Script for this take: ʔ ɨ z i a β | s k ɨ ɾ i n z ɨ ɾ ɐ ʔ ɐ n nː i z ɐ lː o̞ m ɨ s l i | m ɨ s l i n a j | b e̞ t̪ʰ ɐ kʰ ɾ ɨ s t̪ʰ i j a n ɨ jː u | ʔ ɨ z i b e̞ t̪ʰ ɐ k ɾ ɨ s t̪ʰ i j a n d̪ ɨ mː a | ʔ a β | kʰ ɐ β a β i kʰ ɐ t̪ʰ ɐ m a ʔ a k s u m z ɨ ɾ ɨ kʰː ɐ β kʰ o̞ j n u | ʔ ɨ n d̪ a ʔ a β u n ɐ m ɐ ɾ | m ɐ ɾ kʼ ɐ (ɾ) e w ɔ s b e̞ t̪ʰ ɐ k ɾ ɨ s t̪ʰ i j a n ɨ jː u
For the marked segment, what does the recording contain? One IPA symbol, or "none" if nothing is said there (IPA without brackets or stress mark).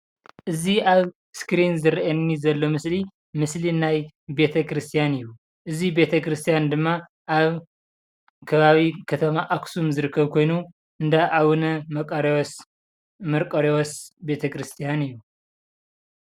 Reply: ɾ